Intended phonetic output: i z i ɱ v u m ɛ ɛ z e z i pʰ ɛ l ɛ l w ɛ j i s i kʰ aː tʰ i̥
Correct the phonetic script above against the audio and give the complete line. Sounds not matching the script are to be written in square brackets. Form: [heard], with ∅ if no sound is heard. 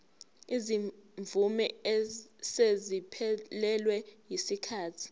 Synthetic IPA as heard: i z i ɱ v u m ɛ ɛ [s] e z i pʰ ɛ l ɛ l w ɛ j i s i kʰ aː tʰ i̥